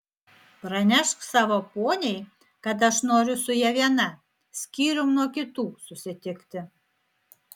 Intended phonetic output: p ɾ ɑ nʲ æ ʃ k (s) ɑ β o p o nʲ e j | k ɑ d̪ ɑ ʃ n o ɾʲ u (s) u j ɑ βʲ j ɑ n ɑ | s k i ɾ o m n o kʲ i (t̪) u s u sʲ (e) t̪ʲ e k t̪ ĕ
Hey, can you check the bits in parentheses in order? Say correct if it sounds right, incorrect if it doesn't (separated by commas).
correct, correct, correct, correct